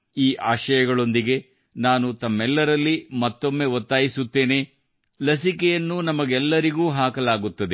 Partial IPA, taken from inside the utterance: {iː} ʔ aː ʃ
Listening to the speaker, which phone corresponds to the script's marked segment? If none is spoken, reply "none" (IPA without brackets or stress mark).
iː